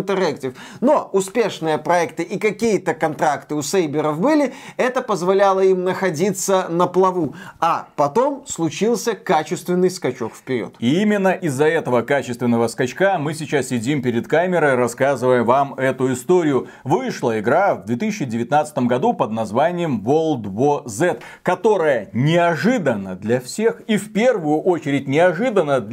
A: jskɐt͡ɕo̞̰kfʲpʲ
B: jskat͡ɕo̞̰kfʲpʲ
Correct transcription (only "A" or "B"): A